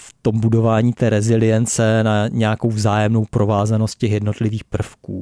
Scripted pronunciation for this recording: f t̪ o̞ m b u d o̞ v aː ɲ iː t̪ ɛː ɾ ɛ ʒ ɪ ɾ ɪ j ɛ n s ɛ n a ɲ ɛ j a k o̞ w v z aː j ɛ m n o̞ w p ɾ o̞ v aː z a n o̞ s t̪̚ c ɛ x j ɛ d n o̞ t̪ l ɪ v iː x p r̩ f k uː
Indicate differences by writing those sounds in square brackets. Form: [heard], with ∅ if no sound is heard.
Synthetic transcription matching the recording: f t̪ o̞ m b u d o̞ v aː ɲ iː t̪ ɛː ɾ ɛ [z] ɪ [l] ɪ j ɛ n [t͡s] ɛ n a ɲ ɛ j a k o̞ w v z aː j ɛ m n o̞ w p ɾ o̞ v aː z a n o̞ s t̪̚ c ɛ x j ɛ d n o̞ t̪ l ɪ v iː x p r̩ f k uː